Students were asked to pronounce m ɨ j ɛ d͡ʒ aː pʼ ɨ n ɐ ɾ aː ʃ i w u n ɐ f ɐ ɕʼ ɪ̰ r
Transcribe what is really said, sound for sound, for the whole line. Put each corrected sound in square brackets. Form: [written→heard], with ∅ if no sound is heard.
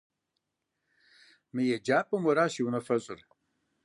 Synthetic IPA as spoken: m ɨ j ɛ d͡ʒ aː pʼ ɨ [n→m] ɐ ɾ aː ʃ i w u n ɐ f ɐ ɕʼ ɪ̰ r